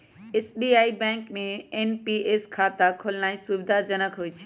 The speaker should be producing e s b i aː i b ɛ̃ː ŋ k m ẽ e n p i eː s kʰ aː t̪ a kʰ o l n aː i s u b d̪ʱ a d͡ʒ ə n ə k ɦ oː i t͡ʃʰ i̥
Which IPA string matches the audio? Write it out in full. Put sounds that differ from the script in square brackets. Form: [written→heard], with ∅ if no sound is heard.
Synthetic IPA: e s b i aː i b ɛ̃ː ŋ k m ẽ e n p i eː s kʰ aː t̪ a kʰ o l n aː i s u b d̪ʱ a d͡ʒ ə n ə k ɦ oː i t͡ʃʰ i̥